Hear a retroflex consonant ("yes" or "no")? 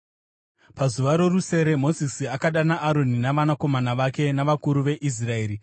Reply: no